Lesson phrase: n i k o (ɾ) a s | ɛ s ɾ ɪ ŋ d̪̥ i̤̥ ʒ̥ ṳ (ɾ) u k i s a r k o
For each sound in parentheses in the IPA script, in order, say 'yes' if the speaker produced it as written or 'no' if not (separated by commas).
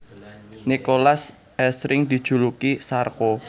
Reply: no, no